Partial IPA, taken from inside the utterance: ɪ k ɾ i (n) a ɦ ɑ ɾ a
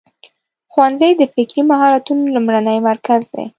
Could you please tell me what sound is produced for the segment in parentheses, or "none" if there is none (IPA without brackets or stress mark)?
m